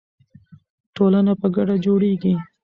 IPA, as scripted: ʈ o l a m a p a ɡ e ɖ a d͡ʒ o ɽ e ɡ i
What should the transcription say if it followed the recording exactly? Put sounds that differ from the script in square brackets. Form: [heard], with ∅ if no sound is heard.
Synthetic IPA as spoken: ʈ o l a [n] a p [ə] ɡ [a] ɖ a d͡ʒ o ɽ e ɡ i